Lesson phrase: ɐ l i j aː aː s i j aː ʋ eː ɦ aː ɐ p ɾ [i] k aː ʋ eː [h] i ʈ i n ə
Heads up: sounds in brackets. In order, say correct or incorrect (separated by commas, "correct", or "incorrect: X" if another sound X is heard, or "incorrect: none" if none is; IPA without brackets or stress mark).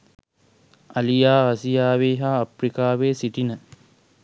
correct, incorrect: s